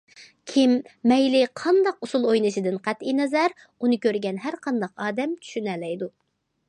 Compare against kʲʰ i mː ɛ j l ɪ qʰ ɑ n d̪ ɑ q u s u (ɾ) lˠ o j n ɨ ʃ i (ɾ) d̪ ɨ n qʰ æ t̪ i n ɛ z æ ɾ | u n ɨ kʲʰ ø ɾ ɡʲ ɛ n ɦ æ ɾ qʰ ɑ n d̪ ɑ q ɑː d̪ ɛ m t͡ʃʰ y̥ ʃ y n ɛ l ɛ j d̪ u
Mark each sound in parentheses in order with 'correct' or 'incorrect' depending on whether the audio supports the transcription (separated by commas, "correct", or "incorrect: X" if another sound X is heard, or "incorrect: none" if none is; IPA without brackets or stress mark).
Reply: incorrect: none, incorrect: none